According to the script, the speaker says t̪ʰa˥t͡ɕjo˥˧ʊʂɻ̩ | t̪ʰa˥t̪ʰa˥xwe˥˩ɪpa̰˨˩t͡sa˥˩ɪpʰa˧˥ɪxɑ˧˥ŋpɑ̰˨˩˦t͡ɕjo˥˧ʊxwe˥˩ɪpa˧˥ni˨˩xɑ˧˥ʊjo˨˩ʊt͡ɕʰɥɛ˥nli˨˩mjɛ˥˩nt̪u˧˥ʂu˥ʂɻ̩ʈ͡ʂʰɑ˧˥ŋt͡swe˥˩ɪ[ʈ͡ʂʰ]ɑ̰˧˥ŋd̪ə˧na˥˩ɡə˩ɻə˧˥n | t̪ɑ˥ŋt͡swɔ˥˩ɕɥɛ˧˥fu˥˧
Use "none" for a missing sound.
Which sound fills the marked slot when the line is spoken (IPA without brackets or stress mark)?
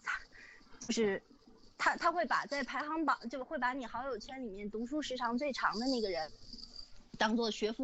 ʈ͡ʂʰ